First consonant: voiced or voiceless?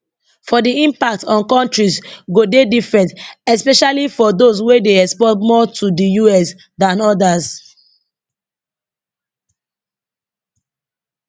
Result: voiceless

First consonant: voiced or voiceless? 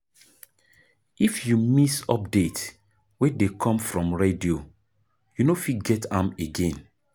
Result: voiceless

